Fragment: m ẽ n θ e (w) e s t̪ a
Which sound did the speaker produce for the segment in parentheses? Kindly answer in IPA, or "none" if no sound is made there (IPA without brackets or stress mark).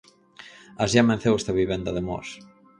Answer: w